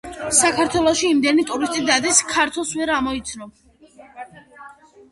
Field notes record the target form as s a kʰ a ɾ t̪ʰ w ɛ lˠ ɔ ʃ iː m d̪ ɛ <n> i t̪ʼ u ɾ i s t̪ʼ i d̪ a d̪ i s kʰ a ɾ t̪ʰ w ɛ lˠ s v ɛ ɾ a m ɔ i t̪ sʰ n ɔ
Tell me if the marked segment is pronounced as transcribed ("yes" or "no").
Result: yes